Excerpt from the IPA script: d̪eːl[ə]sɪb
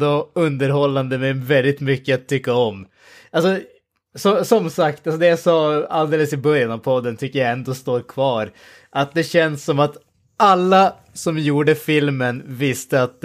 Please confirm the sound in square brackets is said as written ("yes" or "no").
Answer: yes